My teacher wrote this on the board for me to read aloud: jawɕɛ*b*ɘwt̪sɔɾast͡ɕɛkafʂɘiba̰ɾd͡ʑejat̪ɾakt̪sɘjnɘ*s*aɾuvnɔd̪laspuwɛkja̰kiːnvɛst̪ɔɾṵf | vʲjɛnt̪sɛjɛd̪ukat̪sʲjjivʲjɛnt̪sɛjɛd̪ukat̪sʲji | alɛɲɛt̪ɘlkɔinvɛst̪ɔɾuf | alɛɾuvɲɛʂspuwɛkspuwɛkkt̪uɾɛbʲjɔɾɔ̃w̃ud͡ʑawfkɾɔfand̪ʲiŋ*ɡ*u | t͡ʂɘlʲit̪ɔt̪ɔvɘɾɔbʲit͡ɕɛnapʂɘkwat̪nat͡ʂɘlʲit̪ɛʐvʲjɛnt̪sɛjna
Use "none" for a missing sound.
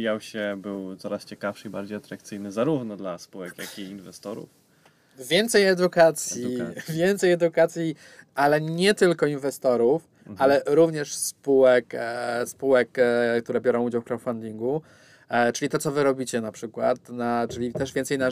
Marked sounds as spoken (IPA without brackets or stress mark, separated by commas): b, z, ɡ